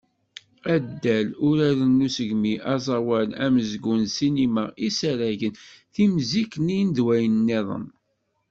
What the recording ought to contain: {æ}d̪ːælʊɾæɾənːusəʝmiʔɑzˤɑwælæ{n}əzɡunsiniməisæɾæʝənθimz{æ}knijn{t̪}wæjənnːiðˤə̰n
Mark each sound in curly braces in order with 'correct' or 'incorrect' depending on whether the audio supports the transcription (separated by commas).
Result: correct, incorrect, incorrect, incorrect